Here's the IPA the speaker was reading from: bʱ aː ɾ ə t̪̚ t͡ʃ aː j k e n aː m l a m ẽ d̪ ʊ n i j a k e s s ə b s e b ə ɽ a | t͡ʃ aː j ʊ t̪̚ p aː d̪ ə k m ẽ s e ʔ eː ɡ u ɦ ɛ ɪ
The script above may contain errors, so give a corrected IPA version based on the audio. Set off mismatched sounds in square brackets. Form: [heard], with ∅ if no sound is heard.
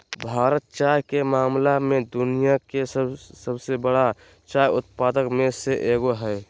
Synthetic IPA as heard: bʱ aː ɾ ə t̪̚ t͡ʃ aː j k e [m] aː m l a m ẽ d̪ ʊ n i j a k e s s ə b s e b ə ɽ a | t͡ʃ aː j ʊ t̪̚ p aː d̪ ə k m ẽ s e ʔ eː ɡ [o] ɦ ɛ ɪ